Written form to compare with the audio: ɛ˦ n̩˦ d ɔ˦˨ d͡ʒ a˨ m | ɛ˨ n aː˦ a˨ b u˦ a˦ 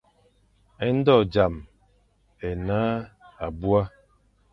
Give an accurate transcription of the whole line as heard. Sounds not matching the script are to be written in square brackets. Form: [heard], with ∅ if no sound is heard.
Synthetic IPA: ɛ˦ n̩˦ d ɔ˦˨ d͡ʒ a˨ m | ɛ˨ n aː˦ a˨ b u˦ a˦